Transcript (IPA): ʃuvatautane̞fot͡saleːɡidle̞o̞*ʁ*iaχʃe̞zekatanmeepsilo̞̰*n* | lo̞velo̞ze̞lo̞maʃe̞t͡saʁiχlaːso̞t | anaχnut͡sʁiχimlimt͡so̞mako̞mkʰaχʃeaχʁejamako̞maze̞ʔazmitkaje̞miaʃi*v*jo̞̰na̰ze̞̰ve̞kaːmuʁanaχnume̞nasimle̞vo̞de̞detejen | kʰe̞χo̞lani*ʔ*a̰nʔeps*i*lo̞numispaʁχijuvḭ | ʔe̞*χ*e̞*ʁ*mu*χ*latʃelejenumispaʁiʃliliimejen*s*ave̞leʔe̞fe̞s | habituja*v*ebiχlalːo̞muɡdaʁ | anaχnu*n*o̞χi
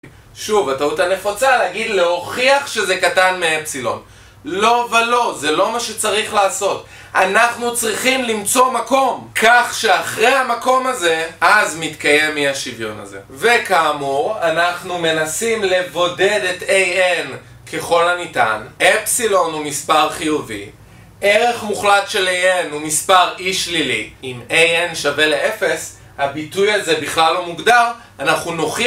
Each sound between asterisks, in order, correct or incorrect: incorrect: χ, correct, correct, incorrect: t, correct, incorrect: ʁ, incorrect: χ, correct, incorrect: ʃ, incorrect: z, correct

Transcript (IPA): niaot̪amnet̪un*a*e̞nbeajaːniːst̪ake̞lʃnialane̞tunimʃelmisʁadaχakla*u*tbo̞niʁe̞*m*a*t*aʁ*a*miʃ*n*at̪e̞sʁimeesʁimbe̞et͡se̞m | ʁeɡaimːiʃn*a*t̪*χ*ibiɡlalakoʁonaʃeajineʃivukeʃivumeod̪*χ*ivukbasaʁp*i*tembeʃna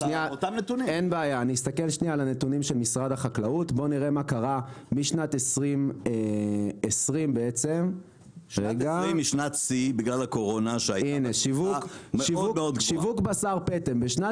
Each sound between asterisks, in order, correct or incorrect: incorrect: i, correct, correct, incorrect: k, correct, correct, correct, incorrect: s, incorrect: ʃ, incorrect: e

